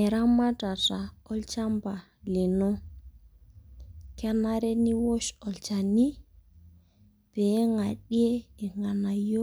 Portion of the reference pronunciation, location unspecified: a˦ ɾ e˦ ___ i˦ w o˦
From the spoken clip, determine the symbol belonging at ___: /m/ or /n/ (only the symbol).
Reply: n